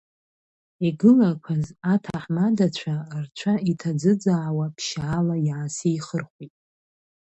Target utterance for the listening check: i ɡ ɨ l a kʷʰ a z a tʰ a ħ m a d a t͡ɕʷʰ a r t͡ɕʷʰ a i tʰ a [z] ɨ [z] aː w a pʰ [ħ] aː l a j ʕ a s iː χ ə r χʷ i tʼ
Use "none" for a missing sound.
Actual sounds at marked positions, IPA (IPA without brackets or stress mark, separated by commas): d͡z, d͡z, ʃ